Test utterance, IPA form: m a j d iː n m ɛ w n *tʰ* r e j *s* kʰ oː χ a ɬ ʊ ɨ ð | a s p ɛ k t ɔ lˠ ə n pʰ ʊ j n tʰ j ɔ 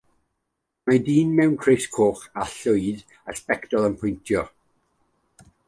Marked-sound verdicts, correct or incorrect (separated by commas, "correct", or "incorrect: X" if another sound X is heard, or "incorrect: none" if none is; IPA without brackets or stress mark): incorrect: kʰ, correct